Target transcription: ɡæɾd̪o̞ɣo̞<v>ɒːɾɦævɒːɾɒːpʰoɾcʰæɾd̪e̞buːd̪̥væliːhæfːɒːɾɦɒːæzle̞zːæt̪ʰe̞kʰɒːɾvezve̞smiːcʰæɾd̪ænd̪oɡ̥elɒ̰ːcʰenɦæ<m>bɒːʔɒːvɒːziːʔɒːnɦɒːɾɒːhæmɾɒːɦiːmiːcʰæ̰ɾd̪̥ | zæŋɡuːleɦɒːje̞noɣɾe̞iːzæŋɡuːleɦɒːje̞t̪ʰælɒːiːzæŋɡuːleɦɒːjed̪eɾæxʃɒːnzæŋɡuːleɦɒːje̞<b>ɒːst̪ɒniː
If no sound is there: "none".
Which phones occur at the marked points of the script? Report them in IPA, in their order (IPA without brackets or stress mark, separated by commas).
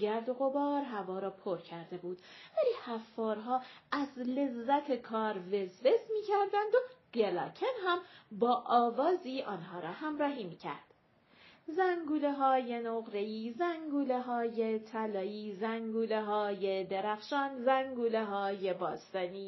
b, m, b